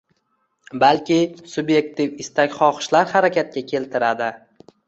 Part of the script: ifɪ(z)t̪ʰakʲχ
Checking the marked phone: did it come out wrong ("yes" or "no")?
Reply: yes